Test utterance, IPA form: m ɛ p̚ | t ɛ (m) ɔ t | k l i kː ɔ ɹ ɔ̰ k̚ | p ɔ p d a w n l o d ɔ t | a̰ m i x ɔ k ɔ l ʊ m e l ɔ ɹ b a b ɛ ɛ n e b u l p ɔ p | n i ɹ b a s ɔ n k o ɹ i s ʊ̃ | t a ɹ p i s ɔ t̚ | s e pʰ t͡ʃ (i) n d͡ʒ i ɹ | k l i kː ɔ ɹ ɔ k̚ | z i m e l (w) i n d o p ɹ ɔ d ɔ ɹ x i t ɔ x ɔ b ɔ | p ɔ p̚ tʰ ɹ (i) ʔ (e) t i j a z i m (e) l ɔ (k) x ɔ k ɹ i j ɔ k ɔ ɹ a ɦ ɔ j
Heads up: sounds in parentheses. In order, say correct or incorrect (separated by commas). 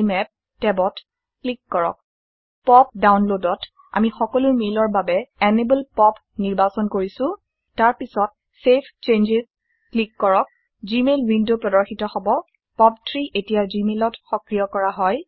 incorrect, incorrect, correct, correct, correct, correct, incorrect